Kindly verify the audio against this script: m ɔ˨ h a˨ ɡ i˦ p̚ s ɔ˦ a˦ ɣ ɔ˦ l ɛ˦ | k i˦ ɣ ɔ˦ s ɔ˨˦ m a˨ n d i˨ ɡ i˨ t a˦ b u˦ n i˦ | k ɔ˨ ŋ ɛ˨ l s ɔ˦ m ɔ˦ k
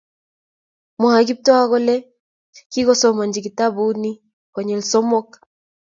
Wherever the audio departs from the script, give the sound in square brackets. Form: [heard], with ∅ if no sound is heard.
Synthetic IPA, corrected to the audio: m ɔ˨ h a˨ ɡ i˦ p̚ [t] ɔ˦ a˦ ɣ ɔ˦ l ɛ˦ | k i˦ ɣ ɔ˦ s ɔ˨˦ m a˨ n [d͡ʒ] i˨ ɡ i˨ t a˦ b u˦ n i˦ | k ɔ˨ [ɲ] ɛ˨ l s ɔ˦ m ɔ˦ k